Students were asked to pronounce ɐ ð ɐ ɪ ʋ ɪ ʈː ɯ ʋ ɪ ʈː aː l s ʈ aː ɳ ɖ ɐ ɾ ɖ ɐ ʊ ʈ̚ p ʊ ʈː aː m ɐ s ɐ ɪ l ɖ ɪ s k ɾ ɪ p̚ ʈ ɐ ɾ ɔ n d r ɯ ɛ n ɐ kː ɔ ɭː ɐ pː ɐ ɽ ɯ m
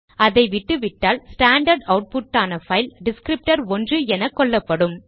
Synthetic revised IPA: ɐ ð ɐ ɪ ʋ ɪ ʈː ɯ ʋ ɪ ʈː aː l s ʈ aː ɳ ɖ ɐ ɾ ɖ ɐ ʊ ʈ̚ p ʊ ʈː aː n ɐ f ɐ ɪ l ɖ ɪ s k ɾ ɪ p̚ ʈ ɐ ɾ ɔ n d r ɯ ɛ n ɐ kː ɔ ɭː ɐ pː ɐ ɽ ɯ m